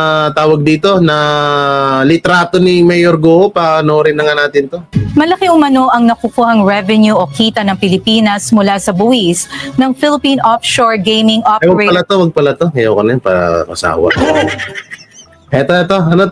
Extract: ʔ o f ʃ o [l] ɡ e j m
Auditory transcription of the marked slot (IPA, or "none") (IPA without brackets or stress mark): ɹ